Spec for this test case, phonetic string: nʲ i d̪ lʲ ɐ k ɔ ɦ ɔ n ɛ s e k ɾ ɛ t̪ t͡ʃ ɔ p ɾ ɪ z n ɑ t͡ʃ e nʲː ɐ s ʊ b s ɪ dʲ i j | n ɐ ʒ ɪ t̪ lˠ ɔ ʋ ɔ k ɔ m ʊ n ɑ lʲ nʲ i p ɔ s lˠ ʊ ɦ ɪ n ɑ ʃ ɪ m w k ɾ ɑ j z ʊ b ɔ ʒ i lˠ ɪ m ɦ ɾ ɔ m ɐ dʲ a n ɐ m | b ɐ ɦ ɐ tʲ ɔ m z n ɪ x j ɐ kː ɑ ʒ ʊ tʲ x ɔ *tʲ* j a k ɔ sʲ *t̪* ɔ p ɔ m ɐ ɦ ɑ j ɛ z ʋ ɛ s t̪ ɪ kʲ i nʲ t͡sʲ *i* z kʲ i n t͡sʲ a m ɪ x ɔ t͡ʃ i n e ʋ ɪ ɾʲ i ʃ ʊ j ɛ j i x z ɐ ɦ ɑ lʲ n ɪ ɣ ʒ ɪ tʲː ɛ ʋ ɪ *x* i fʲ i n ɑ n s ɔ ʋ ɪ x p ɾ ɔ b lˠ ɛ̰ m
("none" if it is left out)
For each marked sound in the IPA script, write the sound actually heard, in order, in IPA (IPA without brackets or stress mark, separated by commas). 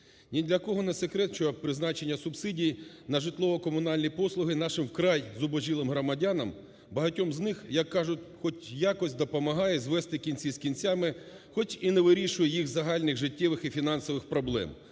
tʲ, d̪, i, x